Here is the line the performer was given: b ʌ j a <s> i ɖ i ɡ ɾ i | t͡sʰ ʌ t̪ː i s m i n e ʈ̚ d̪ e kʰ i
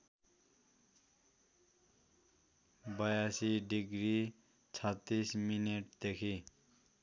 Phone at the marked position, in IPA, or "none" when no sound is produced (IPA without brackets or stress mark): s